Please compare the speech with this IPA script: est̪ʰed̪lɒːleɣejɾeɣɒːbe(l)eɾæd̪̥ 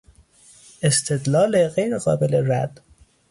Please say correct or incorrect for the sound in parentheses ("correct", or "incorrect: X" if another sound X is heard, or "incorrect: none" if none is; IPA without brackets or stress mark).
correct